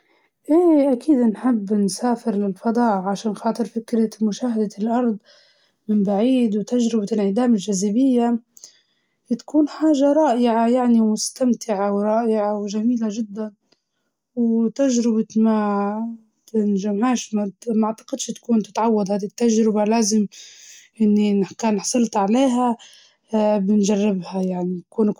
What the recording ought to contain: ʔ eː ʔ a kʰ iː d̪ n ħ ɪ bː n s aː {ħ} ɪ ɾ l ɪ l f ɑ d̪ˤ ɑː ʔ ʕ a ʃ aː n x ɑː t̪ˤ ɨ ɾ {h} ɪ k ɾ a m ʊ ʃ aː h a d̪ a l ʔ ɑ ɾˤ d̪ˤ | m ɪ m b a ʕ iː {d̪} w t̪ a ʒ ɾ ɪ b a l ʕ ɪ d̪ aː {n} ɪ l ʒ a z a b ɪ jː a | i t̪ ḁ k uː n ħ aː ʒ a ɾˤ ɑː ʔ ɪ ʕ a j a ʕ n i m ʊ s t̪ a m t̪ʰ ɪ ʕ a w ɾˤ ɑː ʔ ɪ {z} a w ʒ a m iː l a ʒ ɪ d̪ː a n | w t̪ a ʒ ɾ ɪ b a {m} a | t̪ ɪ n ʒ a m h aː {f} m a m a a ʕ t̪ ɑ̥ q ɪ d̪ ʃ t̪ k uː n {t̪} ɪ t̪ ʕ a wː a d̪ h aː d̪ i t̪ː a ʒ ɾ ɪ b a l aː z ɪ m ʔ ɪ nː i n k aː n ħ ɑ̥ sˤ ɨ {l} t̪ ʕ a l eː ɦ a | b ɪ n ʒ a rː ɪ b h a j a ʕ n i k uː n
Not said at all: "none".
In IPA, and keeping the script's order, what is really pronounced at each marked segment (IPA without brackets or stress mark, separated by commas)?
f, f, d̪, m, ʕ, m, ʃ, t̪, l